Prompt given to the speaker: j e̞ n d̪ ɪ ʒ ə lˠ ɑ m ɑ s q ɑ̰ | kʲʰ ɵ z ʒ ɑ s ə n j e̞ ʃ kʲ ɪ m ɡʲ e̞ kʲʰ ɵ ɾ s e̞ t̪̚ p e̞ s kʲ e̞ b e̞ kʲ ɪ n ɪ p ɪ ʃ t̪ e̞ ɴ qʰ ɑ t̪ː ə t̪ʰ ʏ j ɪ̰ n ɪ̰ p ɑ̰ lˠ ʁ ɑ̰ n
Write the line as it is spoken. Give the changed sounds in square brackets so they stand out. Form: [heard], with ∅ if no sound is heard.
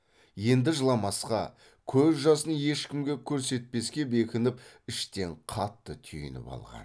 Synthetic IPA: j e̞ n d̪ ɪ ʒ ə lˠ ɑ m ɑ s q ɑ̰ | kʲʰ ɵ z ʒ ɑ s ə n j e̞ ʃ kʲ ɪ m ɡʲ e̞ kʲʰ ɵ ɾ s e̞ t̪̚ p e̞ s kʲ e̞ b e̞ kʲ ɪ n ɪ p ɪ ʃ t̪ e̞ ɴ qʰ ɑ t̪ː ə t̪ʰ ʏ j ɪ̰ n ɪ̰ p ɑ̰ lˠ ʁ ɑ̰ n